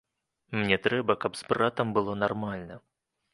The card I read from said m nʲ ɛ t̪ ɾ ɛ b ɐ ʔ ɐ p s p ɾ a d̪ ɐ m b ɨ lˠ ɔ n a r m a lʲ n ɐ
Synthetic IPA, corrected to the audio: m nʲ ɛ t̪ ɾ ɛ b ɐ k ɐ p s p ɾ a t̪ ɐ m b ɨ lˠ ɔ n a r m a lʲ n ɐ